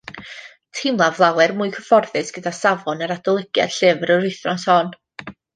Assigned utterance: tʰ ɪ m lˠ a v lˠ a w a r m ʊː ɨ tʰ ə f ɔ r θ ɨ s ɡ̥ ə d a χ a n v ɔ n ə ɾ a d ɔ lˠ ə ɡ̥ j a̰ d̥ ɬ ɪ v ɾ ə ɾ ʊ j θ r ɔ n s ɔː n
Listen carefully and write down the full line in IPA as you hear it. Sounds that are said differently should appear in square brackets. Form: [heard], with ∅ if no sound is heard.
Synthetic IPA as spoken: tʰ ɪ m lˠ a v lˠ a w [ɛ] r m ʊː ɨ [kʰ] ə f ɔ r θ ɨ s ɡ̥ ə d a [s] a [∅] v ɔ n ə ɾ a d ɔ lˠ ə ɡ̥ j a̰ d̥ ɬ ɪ v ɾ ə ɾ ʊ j θ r ɔ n s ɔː n